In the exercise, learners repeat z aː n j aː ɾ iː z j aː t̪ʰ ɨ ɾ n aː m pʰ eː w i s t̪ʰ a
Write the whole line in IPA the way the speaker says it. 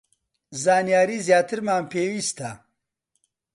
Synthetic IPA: z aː n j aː ɾ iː z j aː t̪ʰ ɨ ɾ m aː m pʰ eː w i s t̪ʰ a